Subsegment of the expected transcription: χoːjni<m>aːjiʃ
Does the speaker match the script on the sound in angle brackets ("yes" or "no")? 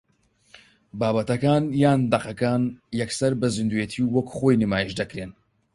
yes